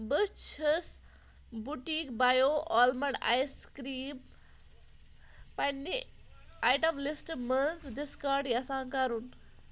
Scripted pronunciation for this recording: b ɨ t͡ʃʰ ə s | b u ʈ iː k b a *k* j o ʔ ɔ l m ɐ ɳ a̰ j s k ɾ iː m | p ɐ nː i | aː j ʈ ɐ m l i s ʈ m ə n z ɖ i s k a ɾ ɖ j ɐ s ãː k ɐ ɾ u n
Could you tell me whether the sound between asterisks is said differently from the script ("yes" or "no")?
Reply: yes